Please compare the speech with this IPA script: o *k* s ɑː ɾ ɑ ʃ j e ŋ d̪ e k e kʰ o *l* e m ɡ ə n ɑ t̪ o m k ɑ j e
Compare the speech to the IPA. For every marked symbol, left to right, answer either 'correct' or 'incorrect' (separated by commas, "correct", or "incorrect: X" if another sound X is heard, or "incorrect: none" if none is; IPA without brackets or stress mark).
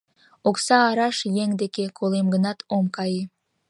correct, correct